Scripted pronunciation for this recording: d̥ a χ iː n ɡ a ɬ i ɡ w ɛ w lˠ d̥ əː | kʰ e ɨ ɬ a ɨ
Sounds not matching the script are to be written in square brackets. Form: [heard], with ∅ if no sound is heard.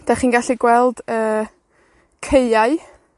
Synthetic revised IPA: d̥ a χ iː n ɡ a ɬ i ɡ w ɛ [∅] lˠ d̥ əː | kʰ e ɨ [∅] a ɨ